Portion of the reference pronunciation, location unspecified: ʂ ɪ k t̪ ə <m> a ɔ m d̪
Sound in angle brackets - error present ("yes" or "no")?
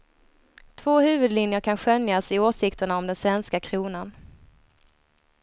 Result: yes